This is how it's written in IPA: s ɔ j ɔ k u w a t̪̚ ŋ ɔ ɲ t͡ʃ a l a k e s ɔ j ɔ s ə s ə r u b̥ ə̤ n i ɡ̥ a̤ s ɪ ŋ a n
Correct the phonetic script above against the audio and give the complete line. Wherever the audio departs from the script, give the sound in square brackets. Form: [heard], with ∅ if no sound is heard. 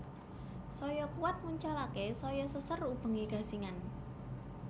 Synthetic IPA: s ɔ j ɔ k u w a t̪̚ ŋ [u] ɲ t͡ʃ a l a k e s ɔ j ɔ s ə s ə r u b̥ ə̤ [ŋ] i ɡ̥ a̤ s [i] ŋ a n